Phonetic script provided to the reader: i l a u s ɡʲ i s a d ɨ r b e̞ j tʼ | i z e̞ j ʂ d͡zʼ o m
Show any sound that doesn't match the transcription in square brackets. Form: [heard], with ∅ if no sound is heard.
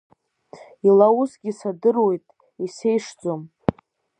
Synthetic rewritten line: i l a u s ɡʲ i s a d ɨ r [w] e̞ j tʼ | i [s] e̞ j ʂ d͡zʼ o m